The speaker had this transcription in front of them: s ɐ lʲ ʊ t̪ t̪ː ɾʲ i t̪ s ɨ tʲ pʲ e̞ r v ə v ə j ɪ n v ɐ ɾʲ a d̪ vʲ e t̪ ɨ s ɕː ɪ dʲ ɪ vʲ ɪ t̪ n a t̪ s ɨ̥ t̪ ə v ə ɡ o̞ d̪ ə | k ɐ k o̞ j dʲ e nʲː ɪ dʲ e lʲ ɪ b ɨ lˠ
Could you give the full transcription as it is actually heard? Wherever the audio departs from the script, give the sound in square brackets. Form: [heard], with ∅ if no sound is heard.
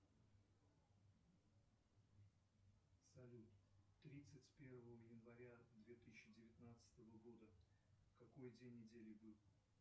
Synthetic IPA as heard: s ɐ lʲ [u] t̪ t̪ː ɾʲ i t̪ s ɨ tʲ pʲ e̞ r v ə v ə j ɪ n v ɐ ɾʲ a d̪ vʲ e t̪ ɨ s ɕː ɪ dʲ ɪ vʲ ɪ t̪ n a t̪ s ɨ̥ t̪ ə v ə ɡ o̞ d̪ ə | k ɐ k o̞ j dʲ e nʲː ɪ dʲ e lʲ ɪ b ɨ lˠ